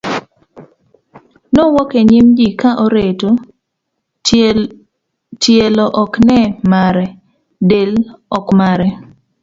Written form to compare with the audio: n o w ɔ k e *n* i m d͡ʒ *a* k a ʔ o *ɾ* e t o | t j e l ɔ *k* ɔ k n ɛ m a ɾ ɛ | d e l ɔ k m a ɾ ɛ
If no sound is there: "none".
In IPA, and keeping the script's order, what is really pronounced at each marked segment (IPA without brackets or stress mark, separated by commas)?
ɲ, i, ɾ, ʔ